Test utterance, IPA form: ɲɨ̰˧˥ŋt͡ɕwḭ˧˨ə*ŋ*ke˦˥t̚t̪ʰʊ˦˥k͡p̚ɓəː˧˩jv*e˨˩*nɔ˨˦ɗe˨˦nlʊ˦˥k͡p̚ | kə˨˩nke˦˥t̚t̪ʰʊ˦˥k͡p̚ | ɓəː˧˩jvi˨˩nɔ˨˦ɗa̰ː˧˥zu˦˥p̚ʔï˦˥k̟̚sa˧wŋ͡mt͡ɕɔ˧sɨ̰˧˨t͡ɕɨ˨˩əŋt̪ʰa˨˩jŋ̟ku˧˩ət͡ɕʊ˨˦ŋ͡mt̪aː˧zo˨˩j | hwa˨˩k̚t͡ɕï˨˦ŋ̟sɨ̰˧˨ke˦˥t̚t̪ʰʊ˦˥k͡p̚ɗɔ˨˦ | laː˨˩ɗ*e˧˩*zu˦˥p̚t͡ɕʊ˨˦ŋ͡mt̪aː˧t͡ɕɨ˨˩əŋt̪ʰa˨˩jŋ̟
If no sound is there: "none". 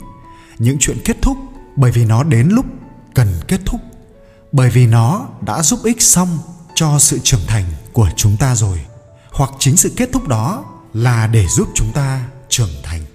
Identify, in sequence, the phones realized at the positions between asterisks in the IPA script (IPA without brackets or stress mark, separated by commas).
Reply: n, i˨˩, e˧˩